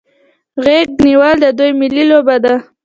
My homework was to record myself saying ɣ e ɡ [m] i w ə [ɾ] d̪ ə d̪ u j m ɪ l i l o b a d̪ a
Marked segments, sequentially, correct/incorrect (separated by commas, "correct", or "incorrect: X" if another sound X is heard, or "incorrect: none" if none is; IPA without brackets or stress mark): incorrect: n, incorrect: l